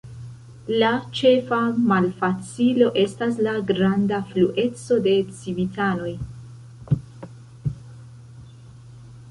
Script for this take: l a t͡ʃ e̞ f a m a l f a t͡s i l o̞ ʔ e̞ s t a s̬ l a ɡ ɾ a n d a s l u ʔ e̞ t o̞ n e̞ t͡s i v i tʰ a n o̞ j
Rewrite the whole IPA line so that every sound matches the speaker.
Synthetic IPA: l a t͡ʃ e̞ f a m a l f a t͡s i l o̞ ʔ e̞ s t a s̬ l a ɡ ɾ a n d a f l u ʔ e̞ t͡s o̞ d e̞ t͡s i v i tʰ a n o̞ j